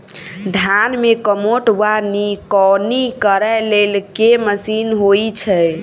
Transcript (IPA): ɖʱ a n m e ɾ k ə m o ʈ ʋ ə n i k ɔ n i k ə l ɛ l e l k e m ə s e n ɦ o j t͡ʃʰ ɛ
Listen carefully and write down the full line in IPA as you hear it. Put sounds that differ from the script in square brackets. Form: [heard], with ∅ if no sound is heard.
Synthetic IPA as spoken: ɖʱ a n m e [∅] k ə m o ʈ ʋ [a] n i k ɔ n i k ə [ɾ] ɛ l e l k e m ə s [i] n ɦ o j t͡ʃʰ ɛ

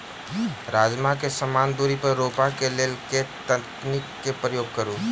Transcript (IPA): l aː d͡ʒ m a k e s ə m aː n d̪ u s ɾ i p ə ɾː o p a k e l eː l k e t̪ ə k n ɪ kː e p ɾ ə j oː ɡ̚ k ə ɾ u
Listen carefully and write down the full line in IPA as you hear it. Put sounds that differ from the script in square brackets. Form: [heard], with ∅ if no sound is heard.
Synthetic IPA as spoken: [ɾ] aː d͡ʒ m a k e s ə m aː n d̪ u [∅] ɾ i p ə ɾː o p a k e l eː l k e t̪ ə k n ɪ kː e p ɾ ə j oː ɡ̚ k ə ɾ u

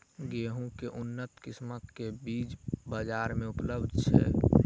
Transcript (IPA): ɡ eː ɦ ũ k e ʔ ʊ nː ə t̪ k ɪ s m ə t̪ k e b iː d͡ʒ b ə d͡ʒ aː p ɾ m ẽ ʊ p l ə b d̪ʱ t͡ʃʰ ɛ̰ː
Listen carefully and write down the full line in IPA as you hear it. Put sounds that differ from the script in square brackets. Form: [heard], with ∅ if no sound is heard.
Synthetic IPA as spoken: ɡ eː ɦ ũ k e ʔ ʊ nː ə t̪ k ɪ s m ə t̪ k e b iː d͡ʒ b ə d͡ʒ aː [∅] ɾ m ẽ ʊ p l ə b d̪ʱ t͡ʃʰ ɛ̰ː

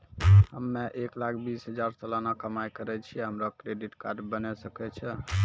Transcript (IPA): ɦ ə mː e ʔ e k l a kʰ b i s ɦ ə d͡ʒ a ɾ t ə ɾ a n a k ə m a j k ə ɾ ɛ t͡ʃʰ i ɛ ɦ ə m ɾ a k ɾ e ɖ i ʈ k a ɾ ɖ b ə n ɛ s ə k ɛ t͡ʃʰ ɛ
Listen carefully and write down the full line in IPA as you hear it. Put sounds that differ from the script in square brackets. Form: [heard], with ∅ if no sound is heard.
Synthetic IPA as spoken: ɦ ə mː e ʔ e k l a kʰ b i s ɦ ə d͡ʒ a ɾ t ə [l] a n a k ə m a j k ə ɾ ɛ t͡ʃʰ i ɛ ɦ ə m ɾ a k ɾ e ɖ i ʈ k a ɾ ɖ b ə n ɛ s ə k ɛ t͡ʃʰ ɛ

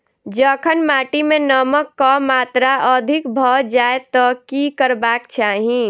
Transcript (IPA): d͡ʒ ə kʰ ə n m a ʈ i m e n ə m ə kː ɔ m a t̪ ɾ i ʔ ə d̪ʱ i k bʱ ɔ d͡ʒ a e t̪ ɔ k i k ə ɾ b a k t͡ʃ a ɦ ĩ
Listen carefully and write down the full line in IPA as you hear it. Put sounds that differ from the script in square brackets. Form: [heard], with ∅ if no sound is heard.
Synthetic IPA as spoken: d͡ʒ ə kʰ ə n m a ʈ i m e n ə m ə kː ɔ m a t̪ ɾ [a] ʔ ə d̪ʱ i k bʱ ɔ d͡ʒ a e t̪ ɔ k i k ə ɾ b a k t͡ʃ a ɦ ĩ

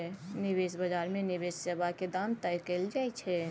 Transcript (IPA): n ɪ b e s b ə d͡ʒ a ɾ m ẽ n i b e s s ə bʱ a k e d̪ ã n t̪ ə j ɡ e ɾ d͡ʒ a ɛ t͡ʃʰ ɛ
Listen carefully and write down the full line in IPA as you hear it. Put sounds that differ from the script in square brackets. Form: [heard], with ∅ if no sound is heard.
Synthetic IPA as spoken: n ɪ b e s b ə d͡ʒ a ɾ m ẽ n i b e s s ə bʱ a k e d̪ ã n t̪ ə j [k] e [l] d͡ʒ a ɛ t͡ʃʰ ɛ

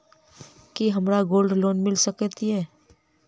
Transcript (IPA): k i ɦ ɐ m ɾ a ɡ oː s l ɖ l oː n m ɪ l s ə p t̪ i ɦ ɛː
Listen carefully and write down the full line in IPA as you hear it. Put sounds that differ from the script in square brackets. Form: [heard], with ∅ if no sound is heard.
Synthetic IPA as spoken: k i ɦ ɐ m ɾ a ɡ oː [∅] l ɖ l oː n m ɪ l s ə [k] t̪ i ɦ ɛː

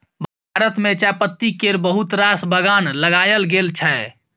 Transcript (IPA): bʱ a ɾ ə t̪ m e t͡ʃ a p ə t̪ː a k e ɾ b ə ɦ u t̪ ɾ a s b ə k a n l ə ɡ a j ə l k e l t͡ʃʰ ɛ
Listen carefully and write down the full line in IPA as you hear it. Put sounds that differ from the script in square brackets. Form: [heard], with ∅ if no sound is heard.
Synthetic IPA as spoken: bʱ a ɾ ə t̪ m e t͡ʃ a p ə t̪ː [i] k e ɾ b ə ɦ u t̪ ɾ a s b ə [ɡ] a n l ə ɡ a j ə l [ɡ] e l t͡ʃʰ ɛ

